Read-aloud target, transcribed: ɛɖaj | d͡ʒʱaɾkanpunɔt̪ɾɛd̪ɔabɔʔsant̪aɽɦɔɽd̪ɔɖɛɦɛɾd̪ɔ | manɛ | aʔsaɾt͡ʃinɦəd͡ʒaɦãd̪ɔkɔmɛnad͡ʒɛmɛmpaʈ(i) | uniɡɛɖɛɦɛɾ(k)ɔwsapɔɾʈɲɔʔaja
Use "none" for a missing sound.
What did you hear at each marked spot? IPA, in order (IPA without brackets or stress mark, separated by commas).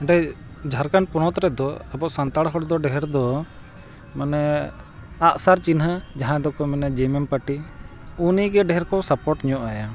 i, k